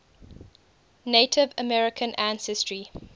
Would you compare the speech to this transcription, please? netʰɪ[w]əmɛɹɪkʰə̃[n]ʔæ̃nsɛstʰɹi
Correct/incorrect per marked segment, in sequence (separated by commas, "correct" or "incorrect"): incorrect, correct